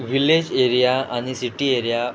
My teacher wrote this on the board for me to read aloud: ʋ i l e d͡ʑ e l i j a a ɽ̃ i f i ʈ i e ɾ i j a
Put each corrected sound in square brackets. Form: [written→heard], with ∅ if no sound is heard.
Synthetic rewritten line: ʋ i l e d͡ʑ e [l→ɾ] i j a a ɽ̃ i [f→s] i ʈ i e ɾ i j a